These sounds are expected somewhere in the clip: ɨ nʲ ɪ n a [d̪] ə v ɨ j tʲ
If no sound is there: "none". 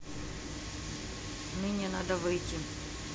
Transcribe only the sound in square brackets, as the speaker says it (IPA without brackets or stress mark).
d̪